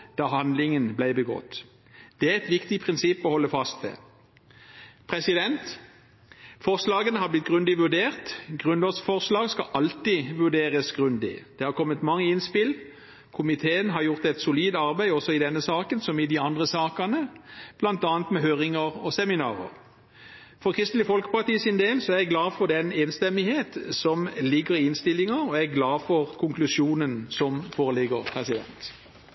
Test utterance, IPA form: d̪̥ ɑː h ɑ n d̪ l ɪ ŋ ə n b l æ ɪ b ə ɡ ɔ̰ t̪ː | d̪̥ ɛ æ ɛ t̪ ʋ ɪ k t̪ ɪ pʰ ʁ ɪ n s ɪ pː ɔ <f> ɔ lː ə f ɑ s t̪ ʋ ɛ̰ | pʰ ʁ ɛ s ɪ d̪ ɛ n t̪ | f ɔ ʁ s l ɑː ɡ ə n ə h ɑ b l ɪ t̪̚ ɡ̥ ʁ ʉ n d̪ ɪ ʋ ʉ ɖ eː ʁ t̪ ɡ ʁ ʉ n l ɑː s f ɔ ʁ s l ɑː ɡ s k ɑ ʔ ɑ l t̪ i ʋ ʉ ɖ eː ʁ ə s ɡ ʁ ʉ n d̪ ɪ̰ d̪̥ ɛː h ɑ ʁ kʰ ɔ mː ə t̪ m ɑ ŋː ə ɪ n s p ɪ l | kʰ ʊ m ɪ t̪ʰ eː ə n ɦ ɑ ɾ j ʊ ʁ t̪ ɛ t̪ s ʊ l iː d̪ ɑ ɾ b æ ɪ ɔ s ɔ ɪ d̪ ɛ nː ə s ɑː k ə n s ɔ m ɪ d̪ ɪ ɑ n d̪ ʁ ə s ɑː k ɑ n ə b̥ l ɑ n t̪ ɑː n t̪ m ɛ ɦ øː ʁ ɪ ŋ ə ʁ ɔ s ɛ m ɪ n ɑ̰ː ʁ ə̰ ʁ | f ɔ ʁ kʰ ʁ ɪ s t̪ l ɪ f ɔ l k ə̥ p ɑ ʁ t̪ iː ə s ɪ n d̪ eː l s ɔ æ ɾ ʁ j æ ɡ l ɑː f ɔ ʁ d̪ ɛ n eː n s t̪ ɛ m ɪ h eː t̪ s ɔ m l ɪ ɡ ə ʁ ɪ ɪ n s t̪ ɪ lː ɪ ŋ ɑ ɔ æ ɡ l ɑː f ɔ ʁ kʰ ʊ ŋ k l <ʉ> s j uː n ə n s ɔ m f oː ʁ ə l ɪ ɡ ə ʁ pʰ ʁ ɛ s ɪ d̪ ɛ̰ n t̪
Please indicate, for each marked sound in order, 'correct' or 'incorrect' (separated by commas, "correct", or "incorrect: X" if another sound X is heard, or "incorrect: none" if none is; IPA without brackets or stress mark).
incorrect: h, correct